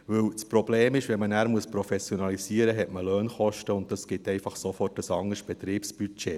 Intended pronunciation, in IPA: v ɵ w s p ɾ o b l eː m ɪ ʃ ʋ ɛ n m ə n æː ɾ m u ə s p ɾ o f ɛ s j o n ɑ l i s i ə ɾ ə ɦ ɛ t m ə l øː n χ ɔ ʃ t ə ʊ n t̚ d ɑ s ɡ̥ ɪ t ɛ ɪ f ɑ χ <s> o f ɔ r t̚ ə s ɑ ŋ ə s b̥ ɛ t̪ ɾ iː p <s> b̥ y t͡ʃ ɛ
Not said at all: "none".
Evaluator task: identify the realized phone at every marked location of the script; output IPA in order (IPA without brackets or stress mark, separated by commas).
s, s